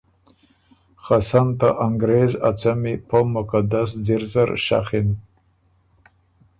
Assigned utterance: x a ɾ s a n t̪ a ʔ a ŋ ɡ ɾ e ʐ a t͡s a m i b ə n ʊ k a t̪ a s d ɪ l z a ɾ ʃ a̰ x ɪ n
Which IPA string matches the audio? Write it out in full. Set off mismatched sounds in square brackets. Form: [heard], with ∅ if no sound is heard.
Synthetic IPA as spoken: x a [∅] s a n t̪ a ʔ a ŋ ɡ ɾ e [z] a t͡s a m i [p] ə [m] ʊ k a [d̪] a s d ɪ [ɾ] z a ɾ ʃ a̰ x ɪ n